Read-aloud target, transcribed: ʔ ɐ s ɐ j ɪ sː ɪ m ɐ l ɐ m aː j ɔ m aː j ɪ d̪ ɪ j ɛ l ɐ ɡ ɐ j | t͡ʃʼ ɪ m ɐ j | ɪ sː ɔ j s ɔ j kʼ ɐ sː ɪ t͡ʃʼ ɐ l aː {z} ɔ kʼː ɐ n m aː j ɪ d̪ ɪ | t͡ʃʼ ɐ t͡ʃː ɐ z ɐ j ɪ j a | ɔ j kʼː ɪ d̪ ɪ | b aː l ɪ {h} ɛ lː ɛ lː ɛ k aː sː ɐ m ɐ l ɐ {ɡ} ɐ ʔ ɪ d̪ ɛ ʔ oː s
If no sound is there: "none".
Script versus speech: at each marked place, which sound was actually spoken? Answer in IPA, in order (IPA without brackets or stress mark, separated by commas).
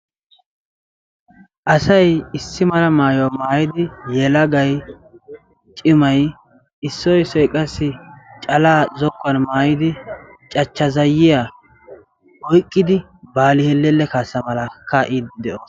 z, h, k